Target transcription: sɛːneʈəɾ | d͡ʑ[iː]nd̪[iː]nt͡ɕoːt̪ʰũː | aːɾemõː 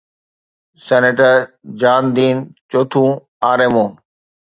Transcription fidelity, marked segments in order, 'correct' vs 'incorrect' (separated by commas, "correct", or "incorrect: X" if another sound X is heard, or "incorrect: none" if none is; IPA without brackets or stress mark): incorrect: aː, correct